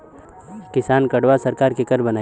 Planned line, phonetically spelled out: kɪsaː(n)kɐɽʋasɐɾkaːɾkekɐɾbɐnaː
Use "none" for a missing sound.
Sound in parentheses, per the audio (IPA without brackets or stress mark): n